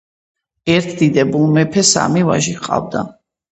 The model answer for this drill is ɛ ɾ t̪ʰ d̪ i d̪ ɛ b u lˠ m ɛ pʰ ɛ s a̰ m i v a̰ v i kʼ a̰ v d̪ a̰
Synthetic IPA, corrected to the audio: ɛ ɾ t̪ʰ d̪ i d̪ ɛ b u lˠ m ɛ pʰ ɛ s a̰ m i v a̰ ʒ i qʼ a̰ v d̪ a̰